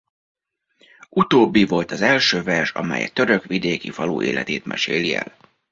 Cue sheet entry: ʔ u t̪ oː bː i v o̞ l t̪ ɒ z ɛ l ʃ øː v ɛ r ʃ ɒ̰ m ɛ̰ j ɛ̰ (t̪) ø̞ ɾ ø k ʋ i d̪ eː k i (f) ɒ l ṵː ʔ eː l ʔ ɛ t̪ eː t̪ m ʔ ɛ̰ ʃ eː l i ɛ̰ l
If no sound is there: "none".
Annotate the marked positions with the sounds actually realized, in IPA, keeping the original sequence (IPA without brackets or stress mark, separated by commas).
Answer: t̪, f